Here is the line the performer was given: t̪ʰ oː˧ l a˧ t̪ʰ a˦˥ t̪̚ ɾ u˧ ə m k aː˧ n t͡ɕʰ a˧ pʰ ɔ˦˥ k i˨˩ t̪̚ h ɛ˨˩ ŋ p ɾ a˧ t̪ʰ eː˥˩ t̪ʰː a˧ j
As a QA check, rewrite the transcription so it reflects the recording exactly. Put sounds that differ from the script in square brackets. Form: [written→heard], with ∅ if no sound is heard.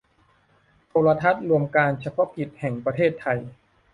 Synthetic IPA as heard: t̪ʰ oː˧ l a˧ t̪ʰ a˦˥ t̪̚ ɾ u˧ ə m k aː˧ n t͡ɕʰ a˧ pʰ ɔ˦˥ k i˨˩ t̪̚ h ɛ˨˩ ŋ p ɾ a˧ t̪ʰ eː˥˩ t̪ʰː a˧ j